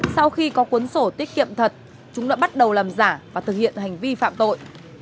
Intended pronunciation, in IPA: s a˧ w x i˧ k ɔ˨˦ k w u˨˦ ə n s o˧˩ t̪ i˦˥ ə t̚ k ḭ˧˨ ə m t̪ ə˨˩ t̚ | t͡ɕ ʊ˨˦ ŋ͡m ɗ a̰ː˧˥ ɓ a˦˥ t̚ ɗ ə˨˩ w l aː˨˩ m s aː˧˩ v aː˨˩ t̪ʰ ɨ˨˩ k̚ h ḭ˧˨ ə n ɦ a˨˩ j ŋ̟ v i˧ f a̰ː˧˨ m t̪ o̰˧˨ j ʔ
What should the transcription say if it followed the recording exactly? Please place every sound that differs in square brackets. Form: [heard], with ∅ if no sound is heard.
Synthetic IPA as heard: s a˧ w x i˧ k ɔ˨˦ k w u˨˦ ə n s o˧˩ t̪ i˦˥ ə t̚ k ḭ˧˨ ə m [t̪ʰ] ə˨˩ t̚ | t͡ɕ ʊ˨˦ ŋ͡m ɗ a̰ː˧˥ ɓ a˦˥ t̚ ɗ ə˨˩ w l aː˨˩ m [z] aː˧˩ v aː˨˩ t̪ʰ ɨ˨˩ k̚ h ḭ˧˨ ə n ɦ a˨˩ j ŋ̟ v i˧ f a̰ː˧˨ m t̪ o̰˧˨ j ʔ